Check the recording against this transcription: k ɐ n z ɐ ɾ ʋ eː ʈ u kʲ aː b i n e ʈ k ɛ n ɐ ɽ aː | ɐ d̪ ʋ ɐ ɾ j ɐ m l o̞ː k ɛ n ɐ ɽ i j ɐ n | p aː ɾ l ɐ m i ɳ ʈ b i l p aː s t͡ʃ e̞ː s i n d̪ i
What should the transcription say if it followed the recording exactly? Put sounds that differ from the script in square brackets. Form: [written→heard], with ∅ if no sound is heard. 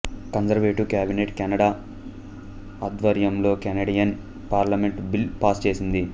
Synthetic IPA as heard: k ɐ n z ɐ ɾ ʋ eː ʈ u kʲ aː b i n e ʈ k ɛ n ɐ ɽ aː | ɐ d̪ ʋ ɐ ɾ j ɐ m l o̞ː k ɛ n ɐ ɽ i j ɐ n | p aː ɾ l ɐ m [i→e] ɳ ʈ b i l p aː s t͡ʃ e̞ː s i n d̪ i

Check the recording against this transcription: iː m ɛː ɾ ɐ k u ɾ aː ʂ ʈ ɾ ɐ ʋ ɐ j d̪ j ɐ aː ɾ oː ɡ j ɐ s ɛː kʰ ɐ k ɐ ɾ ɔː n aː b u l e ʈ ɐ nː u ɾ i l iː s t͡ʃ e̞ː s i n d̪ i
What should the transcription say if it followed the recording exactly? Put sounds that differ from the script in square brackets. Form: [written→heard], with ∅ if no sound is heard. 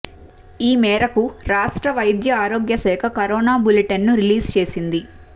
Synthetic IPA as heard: iː m ɛː ɾ ɐ k u ɾ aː ʂ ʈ ɾ ɐ ʋ ɐ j d̪ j ɐ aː ɾ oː ɡ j ɐ s ɛː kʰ ɐ k ɐ ɾ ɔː n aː b u l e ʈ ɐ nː u ɾ i l iː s t͡ʃ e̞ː s i n d̪ i

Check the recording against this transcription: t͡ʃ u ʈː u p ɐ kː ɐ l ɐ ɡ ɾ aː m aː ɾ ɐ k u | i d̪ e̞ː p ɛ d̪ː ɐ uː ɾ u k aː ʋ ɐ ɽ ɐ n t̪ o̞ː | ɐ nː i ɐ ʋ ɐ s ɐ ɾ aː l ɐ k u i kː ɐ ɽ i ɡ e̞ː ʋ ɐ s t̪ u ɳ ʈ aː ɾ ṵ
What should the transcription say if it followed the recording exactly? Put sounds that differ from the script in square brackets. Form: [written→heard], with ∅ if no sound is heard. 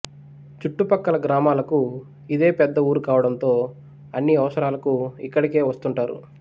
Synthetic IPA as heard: t͡ʃ u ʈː u p ɐ kː ɐ l ɐ ɡ ɾ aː m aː [ɾ→l] ɐ k u | i d̪ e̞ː p ɛ d̪ː ɐ uː ɾ u k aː ʋ ɐ ɽ ɐ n t̪ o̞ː | ɐ nː i ɐ ʋ ɐ s ɐ ɾ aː l ɐ k u i kː ɐ ɽ i [ɡ→k] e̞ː ʋ ɐ s t̪ u ɳ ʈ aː ɾ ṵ

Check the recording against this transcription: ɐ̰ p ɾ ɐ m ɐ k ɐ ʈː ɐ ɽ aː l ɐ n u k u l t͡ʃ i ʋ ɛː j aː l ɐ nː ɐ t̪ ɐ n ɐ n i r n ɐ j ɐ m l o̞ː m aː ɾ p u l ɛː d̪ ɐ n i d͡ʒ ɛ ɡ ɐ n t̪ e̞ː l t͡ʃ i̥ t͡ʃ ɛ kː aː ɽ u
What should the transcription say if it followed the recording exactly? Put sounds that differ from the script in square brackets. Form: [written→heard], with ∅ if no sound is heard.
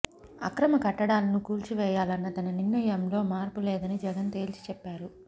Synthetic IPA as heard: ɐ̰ [p→k] ɾ ɐ m ɐ k ɐ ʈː ɐ ɽ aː l ɐ n u k [u→uː] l t͡ʃ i ʋ ɛː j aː l ɐ nː ɐ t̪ ɐ n ɐ n i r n ɐ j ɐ m l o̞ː m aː ɾ p u l ɛː d̪ ɐ n i d͡ʒ ɛ ɡ ɐ n t̪ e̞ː l t͡ʃ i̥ t͡ʃ ɛ [kː→pː] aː [ɽ→ɾ] u

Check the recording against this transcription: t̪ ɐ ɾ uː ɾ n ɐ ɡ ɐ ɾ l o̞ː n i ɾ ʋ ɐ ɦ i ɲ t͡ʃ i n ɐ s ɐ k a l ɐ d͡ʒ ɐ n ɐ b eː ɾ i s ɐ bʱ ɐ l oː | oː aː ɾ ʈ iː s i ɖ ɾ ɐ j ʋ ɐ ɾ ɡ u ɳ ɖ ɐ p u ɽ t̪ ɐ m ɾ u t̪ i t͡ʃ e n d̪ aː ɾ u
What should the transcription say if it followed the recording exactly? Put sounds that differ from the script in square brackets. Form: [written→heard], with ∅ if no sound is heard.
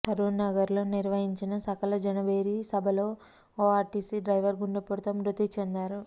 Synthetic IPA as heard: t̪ ɐ ɾ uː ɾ n ɐ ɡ ɐ ɾ l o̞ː n i ɾ ʋ ɐ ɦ i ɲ t͡ʃ i n ɐ s ɐ k [a→ɐ] l ɐ d͡ʒ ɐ n ɐ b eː ɾ i s ɐ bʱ ɐ l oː | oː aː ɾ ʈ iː s i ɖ ɾ ɐ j ʋ ɐ ɾ ɡ u ɳ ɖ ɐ p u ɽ t̪ ɐ m ɾ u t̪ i t͡ʃ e n d̪ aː ɾ u

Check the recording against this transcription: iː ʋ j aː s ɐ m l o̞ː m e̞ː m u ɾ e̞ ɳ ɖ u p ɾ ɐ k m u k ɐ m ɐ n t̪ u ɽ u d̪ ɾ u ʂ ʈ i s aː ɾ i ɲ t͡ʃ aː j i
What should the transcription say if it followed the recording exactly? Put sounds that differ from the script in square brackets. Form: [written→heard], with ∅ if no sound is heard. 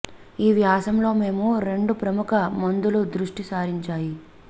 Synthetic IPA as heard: iː ʋ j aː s ɐ m l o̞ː m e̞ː m u ɾ e̞ ɳ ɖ u p ɾ ɐ [k→∅] m u k ɐ m ɐ n [t̪→d̪] u [ɽ→l] u d̪ ɾ u ʂ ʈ i s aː ɾ i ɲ t͡ʃ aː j i

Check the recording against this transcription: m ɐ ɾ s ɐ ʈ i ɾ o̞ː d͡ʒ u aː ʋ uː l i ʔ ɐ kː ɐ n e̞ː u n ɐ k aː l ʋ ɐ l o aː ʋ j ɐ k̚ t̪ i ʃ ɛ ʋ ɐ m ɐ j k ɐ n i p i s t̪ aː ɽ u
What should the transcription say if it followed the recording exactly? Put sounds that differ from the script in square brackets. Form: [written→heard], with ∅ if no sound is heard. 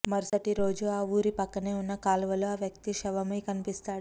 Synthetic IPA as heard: m ɐ ɾ s ɐ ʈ i ɾ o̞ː d͡ʒ u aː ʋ uː [l→ɾ] i [ʔ→p] ɐ kː ɐ n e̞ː u [n→nː] ɐ k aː l ʋ ɐ l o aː ʋ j ɐ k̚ t̪ i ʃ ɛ ʋ ɐ m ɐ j k ɐ n i p i s t̪ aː ɽ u

